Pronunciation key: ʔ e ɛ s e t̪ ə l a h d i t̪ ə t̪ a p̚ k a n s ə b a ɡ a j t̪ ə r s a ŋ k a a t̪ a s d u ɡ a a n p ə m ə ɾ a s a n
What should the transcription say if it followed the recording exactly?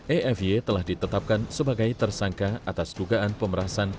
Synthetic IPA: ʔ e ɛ f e t̪ ə l a h d i t̪ ə t̪ a p̚ k a n s ə b a ɡ a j t̪ ə r s a ŋ k a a t̪ a s d u ɡ a a n p ə m ə ɾ a s a n